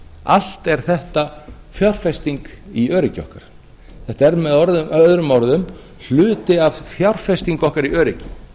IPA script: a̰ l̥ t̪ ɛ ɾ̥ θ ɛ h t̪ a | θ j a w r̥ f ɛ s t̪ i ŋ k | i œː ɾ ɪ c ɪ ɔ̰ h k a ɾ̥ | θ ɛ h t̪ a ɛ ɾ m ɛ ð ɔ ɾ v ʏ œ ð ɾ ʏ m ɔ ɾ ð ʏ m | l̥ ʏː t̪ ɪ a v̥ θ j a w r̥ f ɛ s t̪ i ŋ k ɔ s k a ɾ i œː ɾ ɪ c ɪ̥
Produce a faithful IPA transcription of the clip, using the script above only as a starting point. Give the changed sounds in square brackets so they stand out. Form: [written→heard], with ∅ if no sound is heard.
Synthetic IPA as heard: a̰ l̥ t̪ ɛ ɾ̥ θ ɛ h t̪ a | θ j a w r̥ f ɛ s t̪ i ŋ k | i œː ɾ ɪ c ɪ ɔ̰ h k a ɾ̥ | θ ɛ h t̪ a ɛ ɾ m ɛ ð ɔ ɾ [v→ð] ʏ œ ð ɾ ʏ m ɔ ɾ ð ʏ m | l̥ ʏː t̪ ɪ a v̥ θ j a w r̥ f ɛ s t̪ i ŋ k ɔ [s→h] k a ɾ i œː ɾ ɪ c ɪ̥